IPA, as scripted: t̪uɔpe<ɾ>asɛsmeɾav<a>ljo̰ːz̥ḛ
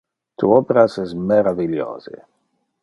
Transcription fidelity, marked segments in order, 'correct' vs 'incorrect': correct, incorrect: i

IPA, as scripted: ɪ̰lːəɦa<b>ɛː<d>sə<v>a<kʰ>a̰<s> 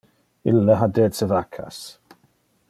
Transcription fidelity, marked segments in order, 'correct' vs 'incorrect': incorrect: d, correct, correct, correct, correct

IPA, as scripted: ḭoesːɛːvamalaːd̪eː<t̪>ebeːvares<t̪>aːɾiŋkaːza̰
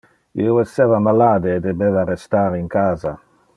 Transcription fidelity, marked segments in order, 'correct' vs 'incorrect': incorrect: d̪, correct

